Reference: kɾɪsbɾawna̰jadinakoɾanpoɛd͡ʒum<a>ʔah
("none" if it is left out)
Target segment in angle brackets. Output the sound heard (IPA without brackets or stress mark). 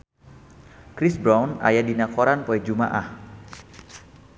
a